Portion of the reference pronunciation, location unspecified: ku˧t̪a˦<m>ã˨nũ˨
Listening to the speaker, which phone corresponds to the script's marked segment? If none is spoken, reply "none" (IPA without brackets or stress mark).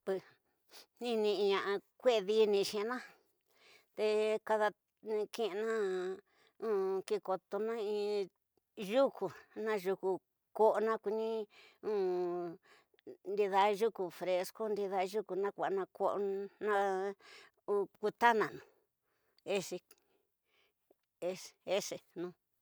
n